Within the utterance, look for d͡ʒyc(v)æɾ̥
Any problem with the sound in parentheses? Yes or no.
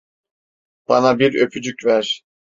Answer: no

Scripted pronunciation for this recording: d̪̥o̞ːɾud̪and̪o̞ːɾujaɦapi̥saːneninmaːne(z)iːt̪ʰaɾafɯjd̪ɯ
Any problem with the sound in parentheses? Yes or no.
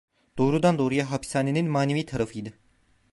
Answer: yes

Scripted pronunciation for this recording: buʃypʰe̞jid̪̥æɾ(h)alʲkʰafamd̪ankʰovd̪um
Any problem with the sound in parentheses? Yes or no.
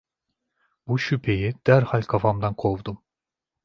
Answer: no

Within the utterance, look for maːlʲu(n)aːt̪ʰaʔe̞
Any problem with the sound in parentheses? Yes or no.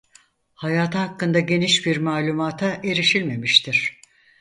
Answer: yes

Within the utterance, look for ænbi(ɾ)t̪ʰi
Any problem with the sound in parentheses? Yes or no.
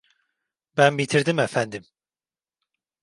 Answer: yes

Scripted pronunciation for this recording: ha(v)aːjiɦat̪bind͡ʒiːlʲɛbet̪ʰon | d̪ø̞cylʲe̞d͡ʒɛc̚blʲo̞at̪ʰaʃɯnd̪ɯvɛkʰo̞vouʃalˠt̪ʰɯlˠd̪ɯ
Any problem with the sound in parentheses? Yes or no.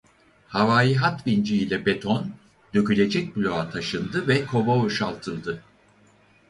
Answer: no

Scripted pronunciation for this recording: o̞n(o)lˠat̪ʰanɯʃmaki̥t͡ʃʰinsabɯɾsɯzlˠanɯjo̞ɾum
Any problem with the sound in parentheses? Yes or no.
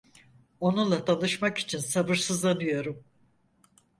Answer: yes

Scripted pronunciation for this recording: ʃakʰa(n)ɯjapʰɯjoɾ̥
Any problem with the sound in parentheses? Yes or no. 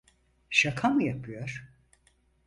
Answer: yes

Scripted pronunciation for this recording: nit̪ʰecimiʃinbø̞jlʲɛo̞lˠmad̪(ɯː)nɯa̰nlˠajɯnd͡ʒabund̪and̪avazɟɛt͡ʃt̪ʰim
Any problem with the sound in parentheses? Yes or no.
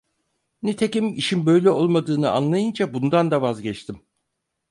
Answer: no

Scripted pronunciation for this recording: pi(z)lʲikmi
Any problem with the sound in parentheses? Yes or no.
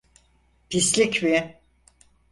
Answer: yes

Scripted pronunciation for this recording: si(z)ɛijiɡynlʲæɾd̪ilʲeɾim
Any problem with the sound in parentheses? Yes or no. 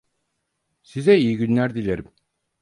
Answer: no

